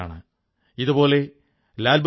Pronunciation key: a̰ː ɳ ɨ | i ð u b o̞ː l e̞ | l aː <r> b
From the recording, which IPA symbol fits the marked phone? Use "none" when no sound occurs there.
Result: l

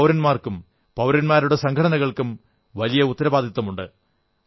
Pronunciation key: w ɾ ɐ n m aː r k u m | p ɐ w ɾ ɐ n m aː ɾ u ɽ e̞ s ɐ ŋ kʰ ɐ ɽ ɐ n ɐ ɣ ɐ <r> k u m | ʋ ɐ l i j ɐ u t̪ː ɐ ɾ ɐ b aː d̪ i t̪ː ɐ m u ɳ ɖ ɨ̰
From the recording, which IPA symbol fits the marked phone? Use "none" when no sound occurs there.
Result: ɭ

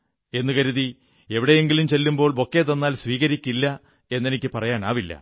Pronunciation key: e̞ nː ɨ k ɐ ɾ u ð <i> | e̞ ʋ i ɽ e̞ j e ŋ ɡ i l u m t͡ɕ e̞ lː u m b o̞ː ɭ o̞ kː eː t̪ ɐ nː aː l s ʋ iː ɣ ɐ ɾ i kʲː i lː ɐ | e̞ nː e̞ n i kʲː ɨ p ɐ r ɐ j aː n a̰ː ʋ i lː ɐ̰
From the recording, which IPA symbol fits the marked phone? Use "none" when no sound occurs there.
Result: i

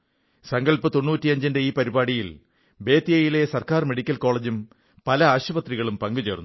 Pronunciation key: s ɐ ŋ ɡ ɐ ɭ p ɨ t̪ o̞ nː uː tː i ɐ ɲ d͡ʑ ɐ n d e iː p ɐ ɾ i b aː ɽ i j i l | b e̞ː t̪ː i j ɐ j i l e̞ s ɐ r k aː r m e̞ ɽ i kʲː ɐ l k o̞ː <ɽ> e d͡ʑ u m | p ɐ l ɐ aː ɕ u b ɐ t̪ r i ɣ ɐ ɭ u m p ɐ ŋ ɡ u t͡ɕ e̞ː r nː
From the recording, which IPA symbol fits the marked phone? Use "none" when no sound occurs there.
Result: ɭ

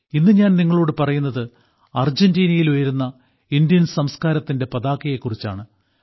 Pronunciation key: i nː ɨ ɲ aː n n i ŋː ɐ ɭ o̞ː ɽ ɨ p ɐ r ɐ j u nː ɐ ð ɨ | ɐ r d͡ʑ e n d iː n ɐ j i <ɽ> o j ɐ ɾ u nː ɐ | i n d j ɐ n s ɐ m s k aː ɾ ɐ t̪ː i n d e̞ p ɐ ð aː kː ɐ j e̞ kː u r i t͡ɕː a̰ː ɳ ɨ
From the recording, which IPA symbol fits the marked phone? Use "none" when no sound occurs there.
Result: l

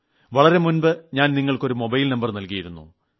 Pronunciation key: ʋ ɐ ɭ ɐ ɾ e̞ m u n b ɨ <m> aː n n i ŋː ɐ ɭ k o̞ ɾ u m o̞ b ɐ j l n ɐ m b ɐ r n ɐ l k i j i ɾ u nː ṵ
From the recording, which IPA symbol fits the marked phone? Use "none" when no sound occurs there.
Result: ɲ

